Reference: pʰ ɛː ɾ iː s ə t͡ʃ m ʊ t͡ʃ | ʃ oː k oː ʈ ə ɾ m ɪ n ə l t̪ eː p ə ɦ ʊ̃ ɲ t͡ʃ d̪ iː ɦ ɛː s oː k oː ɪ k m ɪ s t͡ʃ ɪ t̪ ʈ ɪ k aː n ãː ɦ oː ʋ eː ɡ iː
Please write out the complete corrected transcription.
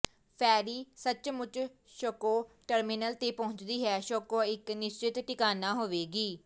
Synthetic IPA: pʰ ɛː ɾ iː s ə t͡ʃ m ʊ t͡ʃ | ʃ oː k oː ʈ ə ɾ m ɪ n ə l t̪ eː p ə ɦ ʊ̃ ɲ t͡ʃ d̪ iː ɦ ɛː ʃ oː k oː ɪ k n ɪ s t͡ʃ ɪ t̪ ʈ ɪ k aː n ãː ɦ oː ʋ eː ɡ iː